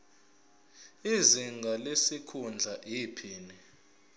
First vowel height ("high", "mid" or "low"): high